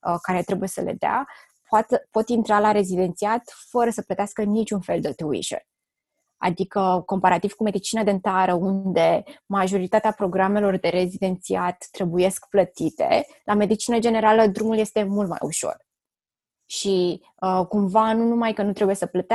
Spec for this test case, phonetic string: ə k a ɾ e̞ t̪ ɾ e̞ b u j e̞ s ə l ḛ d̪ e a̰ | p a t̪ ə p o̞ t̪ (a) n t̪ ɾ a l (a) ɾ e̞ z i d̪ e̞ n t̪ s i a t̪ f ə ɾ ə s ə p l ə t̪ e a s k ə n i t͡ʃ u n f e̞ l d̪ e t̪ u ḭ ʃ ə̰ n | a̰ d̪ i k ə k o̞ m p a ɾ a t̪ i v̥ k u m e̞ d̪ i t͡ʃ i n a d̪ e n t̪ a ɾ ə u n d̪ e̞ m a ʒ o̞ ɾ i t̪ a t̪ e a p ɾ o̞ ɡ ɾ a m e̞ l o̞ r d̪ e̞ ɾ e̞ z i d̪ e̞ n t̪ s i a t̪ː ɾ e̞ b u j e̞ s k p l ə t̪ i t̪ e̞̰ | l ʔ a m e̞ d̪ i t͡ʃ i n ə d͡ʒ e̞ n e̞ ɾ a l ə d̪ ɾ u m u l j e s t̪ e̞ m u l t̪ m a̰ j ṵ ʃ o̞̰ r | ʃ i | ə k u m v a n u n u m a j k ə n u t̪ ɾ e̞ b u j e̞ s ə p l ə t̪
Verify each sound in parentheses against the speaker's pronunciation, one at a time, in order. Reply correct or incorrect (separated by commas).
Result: incorrect, correct